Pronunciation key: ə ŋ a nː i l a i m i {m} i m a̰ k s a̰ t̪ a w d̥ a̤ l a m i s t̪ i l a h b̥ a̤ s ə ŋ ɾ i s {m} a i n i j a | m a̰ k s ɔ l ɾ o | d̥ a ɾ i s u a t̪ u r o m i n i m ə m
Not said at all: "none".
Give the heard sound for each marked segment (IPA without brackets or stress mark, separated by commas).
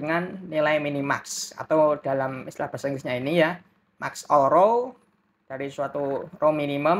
n, ɲ